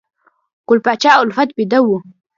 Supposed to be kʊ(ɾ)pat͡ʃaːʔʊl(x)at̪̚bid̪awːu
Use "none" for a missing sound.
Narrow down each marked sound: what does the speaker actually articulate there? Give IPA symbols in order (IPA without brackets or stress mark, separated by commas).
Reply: l, f